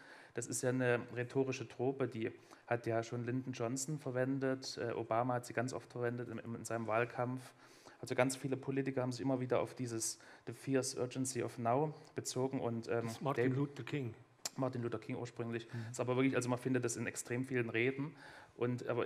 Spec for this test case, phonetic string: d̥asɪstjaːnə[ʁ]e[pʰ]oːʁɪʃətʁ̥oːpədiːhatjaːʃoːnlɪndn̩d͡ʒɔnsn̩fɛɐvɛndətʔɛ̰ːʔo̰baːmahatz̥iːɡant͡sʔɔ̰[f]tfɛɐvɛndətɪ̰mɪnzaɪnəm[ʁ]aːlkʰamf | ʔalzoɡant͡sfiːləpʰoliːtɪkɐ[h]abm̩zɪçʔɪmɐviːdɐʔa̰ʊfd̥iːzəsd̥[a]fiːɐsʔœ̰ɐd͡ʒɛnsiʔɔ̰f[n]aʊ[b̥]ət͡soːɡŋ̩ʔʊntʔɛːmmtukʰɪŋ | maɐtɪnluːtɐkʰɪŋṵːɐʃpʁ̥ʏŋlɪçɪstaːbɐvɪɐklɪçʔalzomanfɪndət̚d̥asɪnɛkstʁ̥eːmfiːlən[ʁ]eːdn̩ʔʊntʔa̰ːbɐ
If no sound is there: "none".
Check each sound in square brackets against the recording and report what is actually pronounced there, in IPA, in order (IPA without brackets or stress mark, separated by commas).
ʁ, tʰ, f, v, h, ə, n, b̥, ʁ